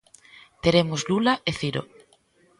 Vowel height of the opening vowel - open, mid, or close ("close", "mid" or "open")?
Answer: mid